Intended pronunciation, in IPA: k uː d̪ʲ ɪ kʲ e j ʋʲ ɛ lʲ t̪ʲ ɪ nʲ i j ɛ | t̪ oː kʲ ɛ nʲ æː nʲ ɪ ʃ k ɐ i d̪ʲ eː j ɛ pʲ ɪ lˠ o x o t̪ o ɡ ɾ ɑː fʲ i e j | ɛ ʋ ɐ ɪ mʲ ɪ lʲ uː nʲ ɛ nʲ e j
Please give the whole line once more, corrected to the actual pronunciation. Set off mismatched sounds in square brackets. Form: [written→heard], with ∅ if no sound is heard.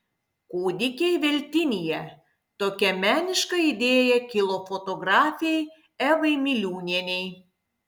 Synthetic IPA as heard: k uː d̪ʲ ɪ kʲ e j ʋʲ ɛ lʲ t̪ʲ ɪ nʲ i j ɛ | t̪ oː kʲ ɛ [nʲ→mʲ] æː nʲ ɪ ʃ k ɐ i d̪ʲ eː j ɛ [pʲ→kʲ] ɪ lˠ o [x→f] o t̪ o ɡ ɾ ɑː fʲ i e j | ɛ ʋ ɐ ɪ mʲ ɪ lʲ uː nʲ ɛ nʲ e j